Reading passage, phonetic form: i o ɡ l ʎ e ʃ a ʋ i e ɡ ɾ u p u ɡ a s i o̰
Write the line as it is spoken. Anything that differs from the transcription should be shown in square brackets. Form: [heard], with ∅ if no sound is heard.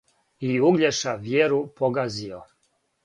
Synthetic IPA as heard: i [u] ɡ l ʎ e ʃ a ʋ [j] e [∅] ɾ u p [o] ɡ a [z] i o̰